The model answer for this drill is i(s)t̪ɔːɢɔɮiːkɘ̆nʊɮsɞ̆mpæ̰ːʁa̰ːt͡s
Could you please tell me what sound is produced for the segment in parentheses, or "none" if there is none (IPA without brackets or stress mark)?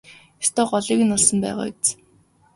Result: s